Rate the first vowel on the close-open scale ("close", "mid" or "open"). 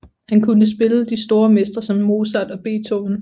open